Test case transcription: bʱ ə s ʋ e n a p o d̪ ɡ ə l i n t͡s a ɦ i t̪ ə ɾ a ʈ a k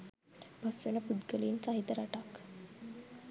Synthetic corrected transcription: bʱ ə s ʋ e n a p u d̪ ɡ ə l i n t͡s a ɦ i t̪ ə ɾ a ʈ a k